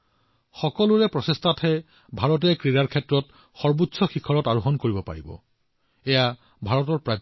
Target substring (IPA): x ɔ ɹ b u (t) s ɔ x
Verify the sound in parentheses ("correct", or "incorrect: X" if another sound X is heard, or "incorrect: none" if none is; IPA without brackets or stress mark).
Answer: correct